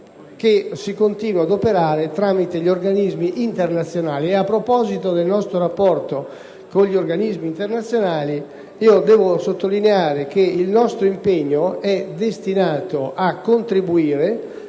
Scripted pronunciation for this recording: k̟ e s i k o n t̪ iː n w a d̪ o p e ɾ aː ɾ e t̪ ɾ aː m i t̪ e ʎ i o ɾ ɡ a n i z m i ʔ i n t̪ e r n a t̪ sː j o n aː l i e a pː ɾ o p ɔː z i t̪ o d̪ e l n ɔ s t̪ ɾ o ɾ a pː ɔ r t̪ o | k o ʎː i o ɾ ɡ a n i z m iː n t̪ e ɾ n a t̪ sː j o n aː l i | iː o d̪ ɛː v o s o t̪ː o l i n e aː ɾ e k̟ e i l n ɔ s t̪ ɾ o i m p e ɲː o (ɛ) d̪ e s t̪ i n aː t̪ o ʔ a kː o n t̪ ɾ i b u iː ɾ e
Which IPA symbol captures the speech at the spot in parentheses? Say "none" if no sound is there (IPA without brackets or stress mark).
ɛ